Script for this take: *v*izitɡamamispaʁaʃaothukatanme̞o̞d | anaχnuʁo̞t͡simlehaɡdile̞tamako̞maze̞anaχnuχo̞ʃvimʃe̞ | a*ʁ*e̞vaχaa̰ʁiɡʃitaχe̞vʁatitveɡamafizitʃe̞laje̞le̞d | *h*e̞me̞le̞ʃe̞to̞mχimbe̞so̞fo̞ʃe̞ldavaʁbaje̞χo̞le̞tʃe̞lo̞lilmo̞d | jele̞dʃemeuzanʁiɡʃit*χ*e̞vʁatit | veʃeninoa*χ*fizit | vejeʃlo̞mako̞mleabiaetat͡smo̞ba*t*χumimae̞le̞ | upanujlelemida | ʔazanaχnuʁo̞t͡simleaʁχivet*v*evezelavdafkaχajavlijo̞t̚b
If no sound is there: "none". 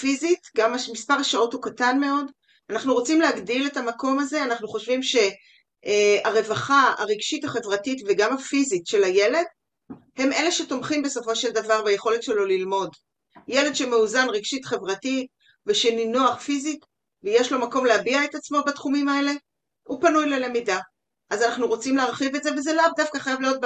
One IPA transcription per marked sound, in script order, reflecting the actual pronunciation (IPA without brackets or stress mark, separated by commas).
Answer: f, ʁ, h, χ, χ, t, z